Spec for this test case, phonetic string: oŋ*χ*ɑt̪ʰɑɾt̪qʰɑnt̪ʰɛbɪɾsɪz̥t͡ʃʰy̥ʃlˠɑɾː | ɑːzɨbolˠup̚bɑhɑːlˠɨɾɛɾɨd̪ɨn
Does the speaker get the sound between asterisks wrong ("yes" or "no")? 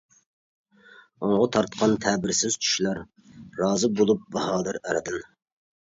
yes